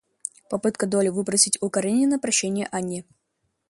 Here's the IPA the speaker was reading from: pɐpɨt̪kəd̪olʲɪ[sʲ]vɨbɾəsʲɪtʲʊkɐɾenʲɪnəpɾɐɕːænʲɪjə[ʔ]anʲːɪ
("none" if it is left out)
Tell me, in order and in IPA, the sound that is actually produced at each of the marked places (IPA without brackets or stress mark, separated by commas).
none, ʔ